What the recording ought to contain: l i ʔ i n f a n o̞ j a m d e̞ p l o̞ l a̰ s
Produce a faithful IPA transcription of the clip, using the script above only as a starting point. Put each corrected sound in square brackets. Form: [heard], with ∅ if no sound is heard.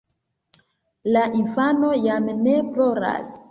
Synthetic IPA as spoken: l [a] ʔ i n f a n o̞ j a m [n] e̞ p l o̞ [ɾ] a̰ s